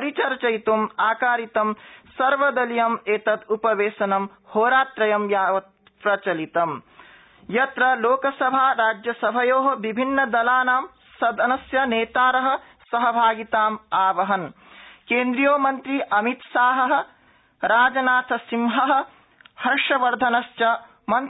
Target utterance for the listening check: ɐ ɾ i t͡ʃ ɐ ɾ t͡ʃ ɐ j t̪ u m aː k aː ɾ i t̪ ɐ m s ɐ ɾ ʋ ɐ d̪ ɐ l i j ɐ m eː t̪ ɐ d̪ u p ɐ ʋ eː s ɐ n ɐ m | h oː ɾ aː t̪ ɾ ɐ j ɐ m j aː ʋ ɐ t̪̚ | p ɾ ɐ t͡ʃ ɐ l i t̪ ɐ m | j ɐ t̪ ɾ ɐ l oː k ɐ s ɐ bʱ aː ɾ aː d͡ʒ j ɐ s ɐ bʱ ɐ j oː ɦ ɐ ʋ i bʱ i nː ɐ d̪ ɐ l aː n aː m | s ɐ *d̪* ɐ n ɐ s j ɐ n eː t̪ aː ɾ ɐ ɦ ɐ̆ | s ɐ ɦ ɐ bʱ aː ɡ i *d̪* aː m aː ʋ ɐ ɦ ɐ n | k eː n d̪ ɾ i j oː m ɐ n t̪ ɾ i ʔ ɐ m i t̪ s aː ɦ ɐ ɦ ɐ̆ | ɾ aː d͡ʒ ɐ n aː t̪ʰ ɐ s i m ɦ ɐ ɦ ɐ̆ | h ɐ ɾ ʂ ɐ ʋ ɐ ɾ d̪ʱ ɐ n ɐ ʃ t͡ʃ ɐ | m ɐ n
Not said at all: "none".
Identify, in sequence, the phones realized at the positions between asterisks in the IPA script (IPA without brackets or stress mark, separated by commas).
d̪, t̪